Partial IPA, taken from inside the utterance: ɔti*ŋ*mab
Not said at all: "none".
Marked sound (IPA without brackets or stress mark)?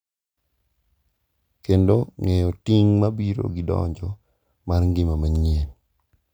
ŋ